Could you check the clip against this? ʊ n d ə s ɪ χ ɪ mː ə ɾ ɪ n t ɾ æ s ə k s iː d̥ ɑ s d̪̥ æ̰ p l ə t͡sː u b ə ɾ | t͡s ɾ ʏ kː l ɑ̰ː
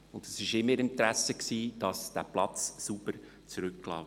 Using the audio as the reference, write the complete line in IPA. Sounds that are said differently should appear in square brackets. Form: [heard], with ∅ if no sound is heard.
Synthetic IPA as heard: ʊ n d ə s ɪ [ʃ] ɪ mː ə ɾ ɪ n t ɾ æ s ə k s iː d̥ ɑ s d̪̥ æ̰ p l [ɑ] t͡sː u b ə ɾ | t͡s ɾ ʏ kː l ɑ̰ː